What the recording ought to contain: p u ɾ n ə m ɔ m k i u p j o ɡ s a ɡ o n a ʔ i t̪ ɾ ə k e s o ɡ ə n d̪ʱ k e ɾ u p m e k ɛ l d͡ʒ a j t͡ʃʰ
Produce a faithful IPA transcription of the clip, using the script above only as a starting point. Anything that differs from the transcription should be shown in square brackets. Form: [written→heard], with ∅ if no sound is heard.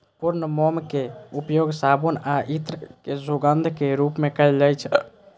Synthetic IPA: p u ɾ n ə m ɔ m k [i→e] u p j o ɡ s a [ɡ→b] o n a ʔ i t̪ ɾ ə k e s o ɡ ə n d̪ʱ k e ɾ u p m e k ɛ l d͡ʒ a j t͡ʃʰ